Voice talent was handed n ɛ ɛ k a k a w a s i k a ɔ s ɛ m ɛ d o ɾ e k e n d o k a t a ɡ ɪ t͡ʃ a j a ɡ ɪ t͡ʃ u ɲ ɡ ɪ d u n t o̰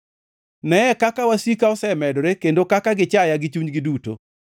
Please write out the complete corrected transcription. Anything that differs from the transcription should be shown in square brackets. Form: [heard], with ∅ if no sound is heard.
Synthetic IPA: n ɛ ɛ k a k a w a s i k a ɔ s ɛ m ɛ d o ɾ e k e n d o k a [k] a ɡ ɪ t͡ʃ a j a ɡ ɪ t͡ʃ u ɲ ɡ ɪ d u [∅] t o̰